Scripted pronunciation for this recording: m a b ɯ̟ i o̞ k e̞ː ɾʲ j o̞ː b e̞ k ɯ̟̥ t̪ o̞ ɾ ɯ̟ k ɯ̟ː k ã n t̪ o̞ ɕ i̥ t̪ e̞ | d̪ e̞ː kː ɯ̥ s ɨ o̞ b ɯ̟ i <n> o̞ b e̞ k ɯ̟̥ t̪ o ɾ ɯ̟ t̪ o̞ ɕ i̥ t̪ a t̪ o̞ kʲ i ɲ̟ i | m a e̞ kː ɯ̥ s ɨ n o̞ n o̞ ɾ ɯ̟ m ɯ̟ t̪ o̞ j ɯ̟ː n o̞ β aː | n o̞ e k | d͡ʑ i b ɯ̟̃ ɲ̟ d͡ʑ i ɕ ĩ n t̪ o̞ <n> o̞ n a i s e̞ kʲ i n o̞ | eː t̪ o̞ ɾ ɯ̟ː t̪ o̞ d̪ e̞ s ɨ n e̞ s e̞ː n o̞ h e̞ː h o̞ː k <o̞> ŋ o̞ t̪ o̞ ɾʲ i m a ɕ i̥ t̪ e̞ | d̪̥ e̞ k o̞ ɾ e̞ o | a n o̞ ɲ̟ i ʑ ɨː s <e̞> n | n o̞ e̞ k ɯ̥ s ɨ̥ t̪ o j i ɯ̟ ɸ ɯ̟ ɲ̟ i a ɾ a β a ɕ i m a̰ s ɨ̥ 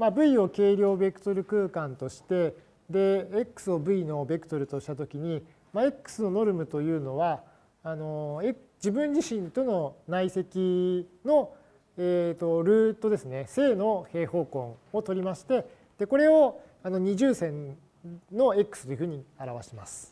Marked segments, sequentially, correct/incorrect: correct, correct, incorrect: õ̞, incorrect: ẽ̞

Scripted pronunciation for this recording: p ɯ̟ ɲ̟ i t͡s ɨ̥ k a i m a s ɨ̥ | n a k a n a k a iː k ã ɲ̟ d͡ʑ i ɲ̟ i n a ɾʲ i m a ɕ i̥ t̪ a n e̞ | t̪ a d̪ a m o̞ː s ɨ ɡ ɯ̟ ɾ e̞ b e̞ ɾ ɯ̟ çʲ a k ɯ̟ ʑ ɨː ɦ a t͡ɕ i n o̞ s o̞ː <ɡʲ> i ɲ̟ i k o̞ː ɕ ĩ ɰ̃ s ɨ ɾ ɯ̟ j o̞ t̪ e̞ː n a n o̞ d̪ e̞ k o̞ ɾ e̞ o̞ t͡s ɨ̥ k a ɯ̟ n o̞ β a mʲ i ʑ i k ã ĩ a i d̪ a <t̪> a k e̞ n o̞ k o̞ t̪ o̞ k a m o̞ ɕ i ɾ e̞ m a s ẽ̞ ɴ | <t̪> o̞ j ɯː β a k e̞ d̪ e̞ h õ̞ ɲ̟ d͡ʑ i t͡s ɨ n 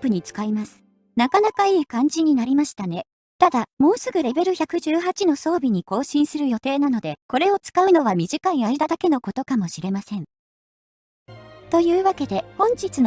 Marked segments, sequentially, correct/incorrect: incorrect: bʲ, incorrect: d̪, correct

